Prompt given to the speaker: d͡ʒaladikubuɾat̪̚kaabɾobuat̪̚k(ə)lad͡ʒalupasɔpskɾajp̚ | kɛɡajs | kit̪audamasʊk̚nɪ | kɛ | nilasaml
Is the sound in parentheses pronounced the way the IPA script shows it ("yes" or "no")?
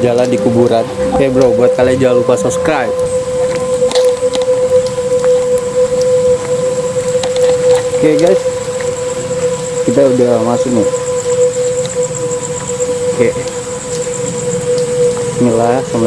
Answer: no